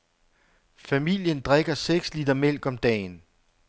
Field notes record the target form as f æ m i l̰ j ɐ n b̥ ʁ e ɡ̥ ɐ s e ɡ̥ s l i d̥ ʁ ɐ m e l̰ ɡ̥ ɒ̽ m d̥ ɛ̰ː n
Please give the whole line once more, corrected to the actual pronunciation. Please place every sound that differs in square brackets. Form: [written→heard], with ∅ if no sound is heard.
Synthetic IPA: f æ m i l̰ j [ɐ→ə] n [b̥→d̥] ʁ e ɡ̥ ɐ s e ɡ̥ s l i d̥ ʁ ɐ m e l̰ ɡ̥ ɒ̽ m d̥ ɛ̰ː n